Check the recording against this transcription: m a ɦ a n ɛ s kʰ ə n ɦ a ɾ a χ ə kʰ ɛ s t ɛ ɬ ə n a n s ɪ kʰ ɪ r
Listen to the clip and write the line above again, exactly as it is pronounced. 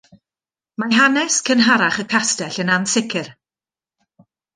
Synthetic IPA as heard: m a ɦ a n ɛ s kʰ ə n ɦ a ɾ a χ ə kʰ a s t ɛ ɬ ə n a n s ɪ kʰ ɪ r